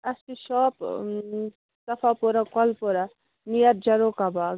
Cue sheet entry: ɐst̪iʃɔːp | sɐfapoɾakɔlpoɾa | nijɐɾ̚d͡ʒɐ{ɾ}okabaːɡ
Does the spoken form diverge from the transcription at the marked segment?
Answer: no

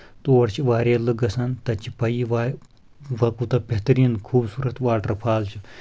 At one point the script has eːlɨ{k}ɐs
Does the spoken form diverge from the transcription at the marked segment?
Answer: yes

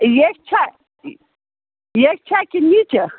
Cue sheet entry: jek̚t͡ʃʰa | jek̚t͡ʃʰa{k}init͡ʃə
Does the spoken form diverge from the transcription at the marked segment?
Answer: no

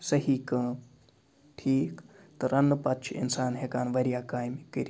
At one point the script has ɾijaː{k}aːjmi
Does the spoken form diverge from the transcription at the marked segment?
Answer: no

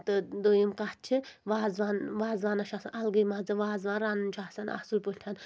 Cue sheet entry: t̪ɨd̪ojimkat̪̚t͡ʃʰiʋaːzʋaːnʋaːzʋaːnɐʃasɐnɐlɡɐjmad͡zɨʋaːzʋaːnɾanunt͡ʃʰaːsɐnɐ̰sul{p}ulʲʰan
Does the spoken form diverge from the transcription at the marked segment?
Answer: no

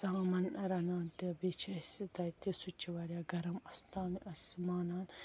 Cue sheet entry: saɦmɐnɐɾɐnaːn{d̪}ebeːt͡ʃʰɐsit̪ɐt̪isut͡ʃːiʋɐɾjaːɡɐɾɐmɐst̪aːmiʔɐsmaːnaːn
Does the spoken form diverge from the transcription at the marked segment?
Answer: yes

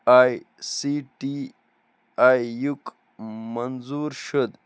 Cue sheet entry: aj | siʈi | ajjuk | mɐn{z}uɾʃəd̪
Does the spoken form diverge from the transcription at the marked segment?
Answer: no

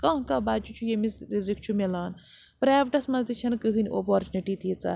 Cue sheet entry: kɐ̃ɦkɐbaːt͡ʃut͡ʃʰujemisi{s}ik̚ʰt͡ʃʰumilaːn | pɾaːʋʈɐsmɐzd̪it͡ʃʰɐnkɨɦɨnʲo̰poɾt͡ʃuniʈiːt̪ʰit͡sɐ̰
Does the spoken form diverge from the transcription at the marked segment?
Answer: yes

